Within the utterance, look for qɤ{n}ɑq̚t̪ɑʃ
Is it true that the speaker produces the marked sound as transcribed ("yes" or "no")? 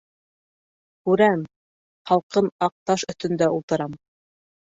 yes